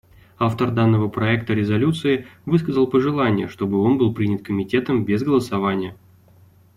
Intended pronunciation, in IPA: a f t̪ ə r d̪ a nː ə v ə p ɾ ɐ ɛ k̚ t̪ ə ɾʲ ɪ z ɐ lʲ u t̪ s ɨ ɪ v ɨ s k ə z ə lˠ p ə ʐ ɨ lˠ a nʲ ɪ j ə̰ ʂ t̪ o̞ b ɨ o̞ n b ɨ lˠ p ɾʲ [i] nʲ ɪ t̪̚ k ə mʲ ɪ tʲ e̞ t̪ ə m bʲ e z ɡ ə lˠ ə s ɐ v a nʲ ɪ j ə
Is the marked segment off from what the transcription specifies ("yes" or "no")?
no